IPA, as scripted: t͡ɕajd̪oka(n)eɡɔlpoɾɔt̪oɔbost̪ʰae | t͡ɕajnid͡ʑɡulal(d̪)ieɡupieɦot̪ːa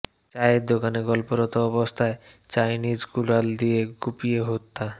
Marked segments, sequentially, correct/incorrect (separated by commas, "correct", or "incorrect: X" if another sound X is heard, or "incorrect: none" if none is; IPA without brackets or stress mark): correct, correct